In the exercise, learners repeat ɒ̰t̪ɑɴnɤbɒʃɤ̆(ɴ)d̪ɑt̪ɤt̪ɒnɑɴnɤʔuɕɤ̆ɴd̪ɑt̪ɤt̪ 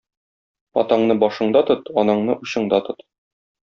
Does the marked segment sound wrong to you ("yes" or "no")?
no